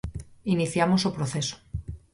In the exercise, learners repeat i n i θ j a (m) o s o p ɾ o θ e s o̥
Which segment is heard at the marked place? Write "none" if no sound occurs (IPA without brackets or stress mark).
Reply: m